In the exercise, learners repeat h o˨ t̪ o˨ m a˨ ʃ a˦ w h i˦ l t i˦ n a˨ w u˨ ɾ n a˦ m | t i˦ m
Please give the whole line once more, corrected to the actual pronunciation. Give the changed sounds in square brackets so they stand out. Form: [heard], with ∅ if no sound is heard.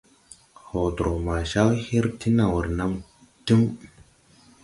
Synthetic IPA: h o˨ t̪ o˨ m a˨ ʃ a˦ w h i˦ [ɾ] t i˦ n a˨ w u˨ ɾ n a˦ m | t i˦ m